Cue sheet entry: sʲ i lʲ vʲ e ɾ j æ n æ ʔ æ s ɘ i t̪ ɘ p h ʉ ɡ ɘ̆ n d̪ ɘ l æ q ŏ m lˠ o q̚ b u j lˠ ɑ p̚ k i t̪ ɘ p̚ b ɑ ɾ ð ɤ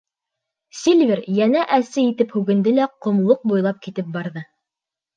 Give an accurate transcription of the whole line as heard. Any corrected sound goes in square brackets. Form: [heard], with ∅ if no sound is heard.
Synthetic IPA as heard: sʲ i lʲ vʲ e ɾ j æ n æ ʔ æ s ɘ i t̪ ɘ p h ʉ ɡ ɘ̆ n d̪ ɘ l æ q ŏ m lˠ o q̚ b u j lˠ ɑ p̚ k i t̪ ɘ p̚ b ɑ ɾ ð ɤ